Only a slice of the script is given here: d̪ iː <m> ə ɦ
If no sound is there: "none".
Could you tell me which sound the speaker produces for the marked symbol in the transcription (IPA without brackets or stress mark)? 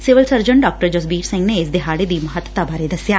m